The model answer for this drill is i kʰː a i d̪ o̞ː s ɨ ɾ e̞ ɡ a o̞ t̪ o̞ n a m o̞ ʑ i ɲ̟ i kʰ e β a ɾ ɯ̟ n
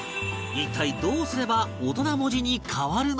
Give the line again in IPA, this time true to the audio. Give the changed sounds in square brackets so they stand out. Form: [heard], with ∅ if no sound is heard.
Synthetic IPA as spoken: i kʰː a i d̪ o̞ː s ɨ ɾ e̞ [b] a o̞ t̪ o̞ n a m o̞ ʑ i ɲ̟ i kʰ [a] β a ɾ ɯ̟ n

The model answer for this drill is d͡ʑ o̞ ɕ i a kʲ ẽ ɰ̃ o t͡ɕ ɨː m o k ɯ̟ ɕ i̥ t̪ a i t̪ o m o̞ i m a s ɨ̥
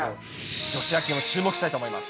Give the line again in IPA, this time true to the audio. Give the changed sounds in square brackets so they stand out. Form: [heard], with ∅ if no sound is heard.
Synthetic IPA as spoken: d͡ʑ o̞ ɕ i a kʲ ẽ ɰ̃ o t͡ɕ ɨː m o k ɯ̟ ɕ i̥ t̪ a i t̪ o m o̞ i m a s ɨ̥

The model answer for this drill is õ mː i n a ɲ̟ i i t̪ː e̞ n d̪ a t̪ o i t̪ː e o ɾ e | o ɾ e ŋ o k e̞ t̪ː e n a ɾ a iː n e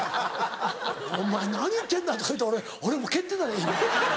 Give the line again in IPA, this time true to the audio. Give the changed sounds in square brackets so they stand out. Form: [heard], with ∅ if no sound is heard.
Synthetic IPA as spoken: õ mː [a] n a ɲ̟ i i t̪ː e̞ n d̪ a t̪ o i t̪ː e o ɾ e | o ɾ e [m] o k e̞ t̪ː e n a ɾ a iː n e

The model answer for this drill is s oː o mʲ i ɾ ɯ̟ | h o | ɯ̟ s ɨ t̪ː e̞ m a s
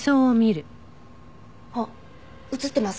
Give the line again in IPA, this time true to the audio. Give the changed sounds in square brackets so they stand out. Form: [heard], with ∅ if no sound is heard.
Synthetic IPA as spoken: s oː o mʲ i ɾ ɯ̟ | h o | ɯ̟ [t͡s] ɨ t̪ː e̞ m a s

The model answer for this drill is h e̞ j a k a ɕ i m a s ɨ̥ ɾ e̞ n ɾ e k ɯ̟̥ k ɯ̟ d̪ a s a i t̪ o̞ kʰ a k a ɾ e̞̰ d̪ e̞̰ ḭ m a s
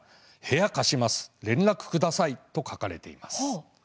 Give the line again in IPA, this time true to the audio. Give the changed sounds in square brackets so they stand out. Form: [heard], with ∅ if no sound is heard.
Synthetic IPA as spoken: h e̞ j a k a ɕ i m a s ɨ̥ ɾ [ẽ̞] n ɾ [a] k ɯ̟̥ k ɯ̟ d̪ a s a i t̪ o̞ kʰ a k a ɾ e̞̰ [t̪] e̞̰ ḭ m a s

